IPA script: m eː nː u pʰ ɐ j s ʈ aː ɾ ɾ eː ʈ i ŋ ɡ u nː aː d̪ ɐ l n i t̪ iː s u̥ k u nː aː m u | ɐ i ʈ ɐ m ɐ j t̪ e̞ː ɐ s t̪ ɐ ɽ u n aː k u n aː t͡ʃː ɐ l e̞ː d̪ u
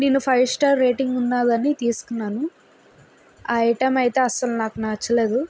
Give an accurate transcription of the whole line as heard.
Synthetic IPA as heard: n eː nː u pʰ ɐ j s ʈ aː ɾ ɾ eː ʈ i ŋ ɡ u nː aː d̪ ɐ n i t̪ iː s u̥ k u nː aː n u | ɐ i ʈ ɐ m ɐ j t̪ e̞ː ɐ s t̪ ɐ l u n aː k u n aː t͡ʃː ɐ l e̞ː d̪ u

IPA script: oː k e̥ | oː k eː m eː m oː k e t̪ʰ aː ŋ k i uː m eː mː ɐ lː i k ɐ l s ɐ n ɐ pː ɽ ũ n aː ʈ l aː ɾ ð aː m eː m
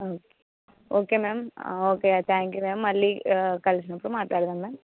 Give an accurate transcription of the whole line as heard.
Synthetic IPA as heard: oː k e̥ | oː k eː m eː m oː k e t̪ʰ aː ŋ k j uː m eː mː ɐ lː i k ɐ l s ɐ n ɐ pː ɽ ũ m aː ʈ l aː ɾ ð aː m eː m

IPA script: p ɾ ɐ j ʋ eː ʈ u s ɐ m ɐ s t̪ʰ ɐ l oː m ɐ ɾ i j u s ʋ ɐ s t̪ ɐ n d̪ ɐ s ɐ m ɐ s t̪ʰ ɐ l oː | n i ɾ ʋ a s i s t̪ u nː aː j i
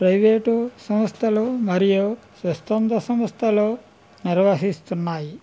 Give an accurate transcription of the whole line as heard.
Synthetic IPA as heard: p ɾ ɐ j ʋ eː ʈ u s ɐ m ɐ s t̪ʰ ɐ l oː m ɐ ɾ i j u s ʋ ɐ s t̪ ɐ n d̪ ɐ s ɐ m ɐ s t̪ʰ ɐ l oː | n i ɾ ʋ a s i s t̪ u nː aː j i

